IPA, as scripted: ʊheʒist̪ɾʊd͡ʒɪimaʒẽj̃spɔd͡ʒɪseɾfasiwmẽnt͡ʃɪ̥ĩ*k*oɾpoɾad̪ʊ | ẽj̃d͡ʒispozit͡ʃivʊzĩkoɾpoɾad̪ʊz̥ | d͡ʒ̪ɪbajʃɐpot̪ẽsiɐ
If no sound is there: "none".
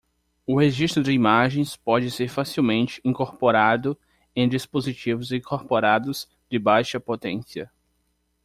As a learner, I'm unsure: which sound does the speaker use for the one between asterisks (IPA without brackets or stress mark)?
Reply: k